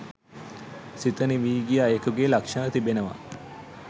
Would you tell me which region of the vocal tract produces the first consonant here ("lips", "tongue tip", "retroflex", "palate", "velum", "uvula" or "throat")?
tongue tip